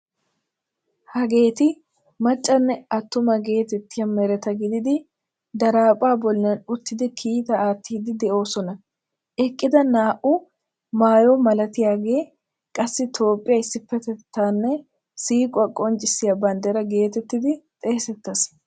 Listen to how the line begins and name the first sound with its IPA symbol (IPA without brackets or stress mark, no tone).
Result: h